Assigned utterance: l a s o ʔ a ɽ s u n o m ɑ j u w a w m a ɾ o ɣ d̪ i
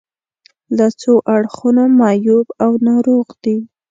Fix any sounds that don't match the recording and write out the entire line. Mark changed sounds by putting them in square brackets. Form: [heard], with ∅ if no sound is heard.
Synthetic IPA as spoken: l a [t͡s] o ʔ a ɽ [x] u n o m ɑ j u [b] a w [n] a ɾ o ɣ d̪ i